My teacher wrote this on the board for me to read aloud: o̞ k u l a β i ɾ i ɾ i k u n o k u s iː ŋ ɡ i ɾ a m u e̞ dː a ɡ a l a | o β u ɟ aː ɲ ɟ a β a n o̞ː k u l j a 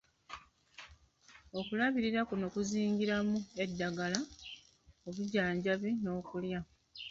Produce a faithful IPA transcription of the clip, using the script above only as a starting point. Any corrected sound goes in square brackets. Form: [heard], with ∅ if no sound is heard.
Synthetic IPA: o̞ k u l a β i ɾ i ɾ [a] k u n o k u [z] iː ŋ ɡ i ɾ a m u e̞ dː a ɡ a l a | o β u ɟ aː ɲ ɟ a β [i] n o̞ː k u l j a